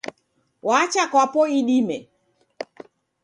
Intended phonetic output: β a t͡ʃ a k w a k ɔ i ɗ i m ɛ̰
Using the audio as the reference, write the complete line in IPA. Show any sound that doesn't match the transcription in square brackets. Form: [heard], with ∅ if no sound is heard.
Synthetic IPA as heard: [w] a t͡ʃ a k w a [p] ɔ i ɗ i m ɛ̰